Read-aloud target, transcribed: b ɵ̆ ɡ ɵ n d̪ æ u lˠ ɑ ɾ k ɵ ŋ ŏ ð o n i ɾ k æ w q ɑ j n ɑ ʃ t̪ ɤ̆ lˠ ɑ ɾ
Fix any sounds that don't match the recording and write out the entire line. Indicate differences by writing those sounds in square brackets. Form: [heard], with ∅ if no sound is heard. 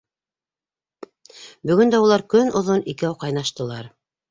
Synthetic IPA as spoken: b ɵ̆ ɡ ɵ n d̪ æ u lˠ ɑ ɾ k ɵ [n] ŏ ð o n i [∅] k æ w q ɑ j n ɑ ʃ t̪ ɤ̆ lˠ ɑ ɾ